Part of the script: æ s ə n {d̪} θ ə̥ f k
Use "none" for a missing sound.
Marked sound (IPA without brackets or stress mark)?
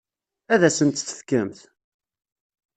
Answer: t̪